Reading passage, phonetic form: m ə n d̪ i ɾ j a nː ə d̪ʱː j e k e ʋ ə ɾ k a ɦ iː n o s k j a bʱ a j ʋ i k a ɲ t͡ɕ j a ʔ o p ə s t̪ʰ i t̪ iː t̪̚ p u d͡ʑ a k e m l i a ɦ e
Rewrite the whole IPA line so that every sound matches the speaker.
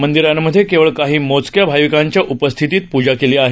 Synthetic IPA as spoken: m ə n d̪ i ɾ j a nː ə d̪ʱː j e k e ʋ ə ɭ k a ɦ iː m o t͡s k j a bʱ a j ʋ i k a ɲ t͡ɕ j a ʔ u p ə s t̪ʰ i t̪ iː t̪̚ p u d͡ʑ a k e l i a ɦ e